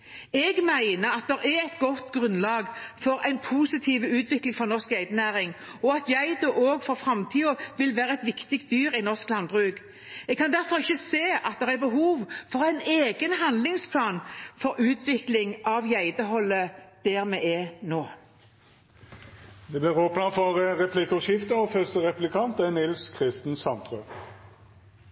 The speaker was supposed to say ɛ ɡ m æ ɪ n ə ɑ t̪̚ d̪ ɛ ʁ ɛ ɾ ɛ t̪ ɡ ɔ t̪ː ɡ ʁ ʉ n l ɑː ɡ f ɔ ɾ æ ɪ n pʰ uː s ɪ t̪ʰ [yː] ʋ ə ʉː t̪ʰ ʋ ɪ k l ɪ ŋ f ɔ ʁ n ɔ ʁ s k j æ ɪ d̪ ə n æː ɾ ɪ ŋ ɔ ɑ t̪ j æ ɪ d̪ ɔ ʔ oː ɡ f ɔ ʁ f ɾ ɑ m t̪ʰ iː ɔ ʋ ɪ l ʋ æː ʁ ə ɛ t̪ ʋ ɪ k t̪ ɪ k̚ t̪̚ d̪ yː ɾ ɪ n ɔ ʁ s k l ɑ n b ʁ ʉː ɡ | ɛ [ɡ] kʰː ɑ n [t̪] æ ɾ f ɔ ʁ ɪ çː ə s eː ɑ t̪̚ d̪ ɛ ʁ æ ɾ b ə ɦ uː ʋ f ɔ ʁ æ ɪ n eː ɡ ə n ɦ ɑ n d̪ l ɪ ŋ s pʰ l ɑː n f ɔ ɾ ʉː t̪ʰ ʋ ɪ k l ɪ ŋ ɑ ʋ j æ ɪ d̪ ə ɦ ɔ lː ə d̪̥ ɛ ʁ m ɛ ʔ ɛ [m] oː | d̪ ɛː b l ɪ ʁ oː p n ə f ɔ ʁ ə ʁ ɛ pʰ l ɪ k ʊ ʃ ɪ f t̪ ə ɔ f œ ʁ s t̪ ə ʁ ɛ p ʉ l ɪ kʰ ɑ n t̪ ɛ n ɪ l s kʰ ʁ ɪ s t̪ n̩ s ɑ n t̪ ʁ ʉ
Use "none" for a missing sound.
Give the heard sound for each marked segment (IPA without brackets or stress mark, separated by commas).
iː, ɡ, d̪, n